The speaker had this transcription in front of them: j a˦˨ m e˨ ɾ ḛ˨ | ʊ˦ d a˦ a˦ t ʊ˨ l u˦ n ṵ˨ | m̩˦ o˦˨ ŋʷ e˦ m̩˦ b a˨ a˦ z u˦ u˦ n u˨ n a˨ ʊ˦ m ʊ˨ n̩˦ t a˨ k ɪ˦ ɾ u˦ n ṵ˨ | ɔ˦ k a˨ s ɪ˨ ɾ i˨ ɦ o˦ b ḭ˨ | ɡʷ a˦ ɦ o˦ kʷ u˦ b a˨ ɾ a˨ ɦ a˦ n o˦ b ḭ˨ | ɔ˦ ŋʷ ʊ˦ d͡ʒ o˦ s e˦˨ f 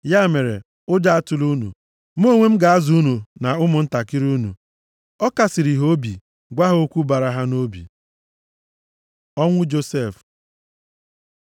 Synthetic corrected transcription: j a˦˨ m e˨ ɾ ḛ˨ | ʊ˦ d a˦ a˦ t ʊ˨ l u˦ n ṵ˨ | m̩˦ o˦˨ ŋʷ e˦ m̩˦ ɡ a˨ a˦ z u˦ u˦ n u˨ n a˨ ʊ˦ m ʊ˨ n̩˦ t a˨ k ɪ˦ ɾ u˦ n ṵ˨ | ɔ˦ k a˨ s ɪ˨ ɾ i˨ ɦ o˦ b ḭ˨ | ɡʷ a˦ ɦ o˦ kʷ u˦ b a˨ ɾ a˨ ɦ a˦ n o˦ b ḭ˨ | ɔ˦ ŋʷ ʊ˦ d͡ʒ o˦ s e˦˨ f